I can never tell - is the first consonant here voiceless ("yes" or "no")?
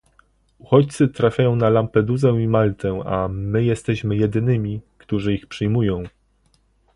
yes